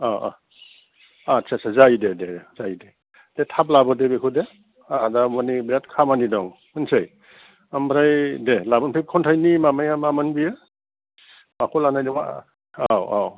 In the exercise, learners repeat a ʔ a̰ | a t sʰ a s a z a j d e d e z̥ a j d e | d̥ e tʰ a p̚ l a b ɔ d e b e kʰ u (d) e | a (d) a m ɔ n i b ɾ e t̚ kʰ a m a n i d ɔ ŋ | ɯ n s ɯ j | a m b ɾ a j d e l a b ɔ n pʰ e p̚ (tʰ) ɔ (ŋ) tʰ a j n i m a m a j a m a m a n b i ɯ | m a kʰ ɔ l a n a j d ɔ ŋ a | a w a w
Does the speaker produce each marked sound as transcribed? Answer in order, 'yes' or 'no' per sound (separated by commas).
yes, yes, no, no